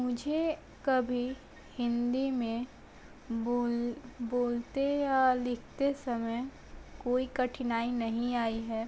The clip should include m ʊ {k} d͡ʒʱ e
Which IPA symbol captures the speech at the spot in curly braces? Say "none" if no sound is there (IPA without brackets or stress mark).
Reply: none